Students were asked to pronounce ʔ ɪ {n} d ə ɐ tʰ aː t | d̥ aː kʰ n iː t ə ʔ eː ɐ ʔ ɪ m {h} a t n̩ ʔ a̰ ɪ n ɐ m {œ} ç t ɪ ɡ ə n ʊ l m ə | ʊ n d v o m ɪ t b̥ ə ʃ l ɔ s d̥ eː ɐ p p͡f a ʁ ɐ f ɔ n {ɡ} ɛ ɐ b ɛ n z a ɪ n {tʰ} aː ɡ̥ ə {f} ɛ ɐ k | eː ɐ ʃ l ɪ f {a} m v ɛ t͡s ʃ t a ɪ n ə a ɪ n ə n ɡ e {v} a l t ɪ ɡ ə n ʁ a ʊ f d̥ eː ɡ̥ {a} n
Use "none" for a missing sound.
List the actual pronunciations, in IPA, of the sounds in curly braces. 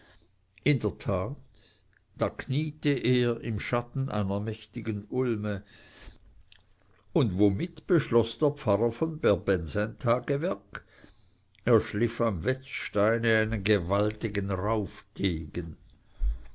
n, ʃ, ɛ, b, tʰ, v, a, v, ə

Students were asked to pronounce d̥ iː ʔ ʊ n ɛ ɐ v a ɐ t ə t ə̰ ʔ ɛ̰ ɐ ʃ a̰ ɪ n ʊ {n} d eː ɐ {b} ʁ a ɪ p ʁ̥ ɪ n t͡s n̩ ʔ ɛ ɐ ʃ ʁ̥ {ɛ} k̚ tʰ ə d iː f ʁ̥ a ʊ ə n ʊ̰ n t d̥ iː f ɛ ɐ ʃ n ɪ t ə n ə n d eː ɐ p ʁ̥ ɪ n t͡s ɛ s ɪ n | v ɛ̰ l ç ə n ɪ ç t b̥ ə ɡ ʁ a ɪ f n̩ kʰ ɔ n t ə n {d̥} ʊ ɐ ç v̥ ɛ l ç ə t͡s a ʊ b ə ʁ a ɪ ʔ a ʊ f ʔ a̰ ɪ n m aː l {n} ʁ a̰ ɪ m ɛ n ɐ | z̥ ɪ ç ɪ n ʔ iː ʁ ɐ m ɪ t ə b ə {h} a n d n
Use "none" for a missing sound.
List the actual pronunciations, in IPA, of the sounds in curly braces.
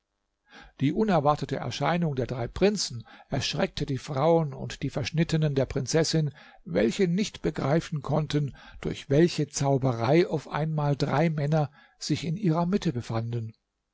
ŋ, d, ɛ, d̥, d, f

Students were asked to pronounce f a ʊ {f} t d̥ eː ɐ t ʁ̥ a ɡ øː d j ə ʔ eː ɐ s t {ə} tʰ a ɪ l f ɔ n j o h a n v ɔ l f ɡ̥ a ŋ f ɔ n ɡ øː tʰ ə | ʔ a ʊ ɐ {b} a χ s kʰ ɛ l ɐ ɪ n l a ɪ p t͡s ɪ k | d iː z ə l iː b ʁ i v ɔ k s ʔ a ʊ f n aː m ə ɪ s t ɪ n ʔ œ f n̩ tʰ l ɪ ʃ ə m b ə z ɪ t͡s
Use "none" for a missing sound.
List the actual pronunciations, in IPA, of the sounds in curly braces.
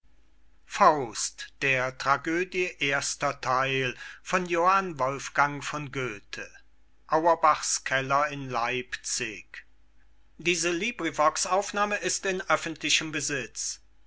s, ɐ, b

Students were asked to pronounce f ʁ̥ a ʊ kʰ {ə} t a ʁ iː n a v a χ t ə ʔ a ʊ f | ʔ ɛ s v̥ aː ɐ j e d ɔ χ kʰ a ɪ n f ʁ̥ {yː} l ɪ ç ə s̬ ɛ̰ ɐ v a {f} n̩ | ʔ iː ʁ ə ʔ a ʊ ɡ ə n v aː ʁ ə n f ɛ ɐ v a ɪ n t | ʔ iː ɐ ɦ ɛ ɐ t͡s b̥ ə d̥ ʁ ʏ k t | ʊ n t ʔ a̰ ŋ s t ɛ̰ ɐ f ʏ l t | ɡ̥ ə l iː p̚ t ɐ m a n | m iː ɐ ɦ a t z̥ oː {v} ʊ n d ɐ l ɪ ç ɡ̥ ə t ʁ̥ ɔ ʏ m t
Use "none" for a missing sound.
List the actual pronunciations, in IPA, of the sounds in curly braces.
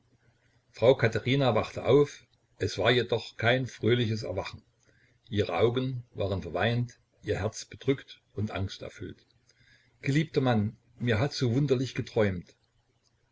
a, øː, χ, v

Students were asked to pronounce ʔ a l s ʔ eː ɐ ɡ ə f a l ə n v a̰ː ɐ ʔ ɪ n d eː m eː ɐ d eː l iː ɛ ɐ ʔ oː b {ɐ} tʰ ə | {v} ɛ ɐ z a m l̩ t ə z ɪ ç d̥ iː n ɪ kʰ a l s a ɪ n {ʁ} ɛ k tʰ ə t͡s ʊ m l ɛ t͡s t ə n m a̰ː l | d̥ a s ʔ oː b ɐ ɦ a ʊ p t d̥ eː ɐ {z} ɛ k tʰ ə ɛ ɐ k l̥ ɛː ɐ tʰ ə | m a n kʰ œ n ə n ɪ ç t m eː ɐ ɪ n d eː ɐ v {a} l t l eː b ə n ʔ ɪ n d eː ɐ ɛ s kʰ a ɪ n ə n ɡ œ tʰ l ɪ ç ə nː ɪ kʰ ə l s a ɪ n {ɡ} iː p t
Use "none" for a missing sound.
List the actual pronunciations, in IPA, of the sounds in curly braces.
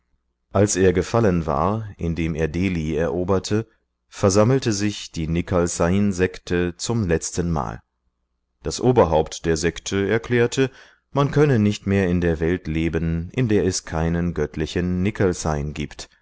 ɐ, f, z, z, ɛ, ɡ

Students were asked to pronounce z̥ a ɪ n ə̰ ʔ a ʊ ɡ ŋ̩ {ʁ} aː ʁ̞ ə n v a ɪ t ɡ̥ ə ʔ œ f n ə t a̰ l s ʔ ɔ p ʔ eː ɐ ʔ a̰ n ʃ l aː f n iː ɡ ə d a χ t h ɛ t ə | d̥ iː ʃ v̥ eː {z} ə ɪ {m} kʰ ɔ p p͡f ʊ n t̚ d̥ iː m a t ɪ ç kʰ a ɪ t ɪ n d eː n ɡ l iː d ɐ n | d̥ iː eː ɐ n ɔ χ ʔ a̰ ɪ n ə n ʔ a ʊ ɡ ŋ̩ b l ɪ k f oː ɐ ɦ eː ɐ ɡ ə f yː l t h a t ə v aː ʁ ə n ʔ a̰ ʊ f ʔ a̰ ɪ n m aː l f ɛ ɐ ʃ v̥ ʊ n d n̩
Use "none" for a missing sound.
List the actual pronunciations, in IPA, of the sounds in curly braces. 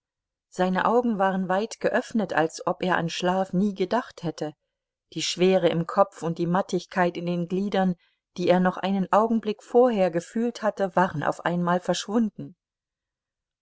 v, ʁ, m

